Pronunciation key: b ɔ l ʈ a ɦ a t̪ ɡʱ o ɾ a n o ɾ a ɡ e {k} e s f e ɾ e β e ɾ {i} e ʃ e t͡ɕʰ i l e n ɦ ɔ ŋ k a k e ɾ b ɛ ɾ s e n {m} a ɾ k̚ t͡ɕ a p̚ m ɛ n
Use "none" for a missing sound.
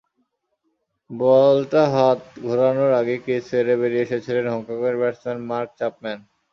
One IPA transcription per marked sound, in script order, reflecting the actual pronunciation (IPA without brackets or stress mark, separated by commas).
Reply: k, i, m